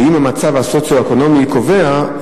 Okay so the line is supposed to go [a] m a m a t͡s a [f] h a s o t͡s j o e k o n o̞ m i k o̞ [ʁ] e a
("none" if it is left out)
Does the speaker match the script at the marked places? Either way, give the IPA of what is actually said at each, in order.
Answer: i, v, v

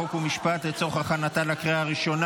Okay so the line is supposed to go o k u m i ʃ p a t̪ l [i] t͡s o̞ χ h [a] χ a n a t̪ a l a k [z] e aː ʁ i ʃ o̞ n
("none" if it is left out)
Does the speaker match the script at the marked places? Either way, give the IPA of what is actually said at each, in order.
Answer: e, a, ʁ

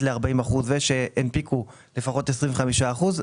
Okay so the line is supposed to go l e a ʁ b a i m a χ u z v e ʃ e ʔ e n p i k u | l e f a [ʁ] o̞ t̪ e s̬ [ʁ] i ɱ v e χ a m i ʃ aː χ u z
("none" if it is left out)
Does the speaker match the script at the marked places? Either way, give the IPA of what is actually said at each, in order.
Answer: χ, ʁ

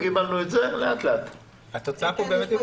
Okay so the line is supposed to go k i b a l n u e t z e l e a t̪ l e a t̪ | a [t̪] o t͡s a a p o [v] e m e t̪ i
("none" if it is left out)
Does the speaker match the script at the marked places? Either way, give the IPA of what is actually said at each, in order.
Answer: t̪, b

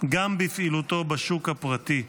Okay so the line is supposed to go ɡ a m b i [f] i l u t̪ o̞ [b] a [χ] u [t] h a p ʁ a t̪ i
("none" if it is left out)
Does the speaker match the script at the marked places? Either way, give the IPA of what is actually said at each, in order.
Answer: f, b, ʃ, k

